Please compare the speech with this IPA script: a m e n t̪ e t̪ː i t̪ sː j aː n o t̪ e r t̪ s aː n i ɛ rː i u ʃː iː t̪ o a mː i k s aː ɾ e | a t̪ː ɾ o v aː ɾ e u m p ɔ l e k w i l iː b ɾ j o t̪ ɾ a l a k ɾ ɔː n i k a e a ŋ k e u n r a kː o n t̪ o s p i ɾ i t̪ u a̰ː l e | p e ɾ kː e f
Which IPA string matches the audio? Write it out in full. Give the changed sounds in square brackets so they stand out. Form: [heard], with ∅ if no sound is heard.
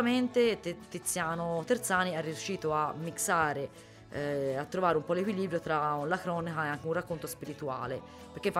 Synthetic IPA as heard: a m e n t̪ e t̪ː i t̪ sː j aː n o t̪ e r t̪ s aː n i ɛ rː i u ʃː iː t̪ o a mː i k s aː ɾ e | a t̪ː ɾ o v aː ɾ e u m p ɔ l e k w i l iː b ɾ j o t̪ ɾ a l a k ɾ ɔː n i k a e a ŋ k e u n r a kː o n t̪ o s p i ɾ i t̪ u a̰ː l e | p e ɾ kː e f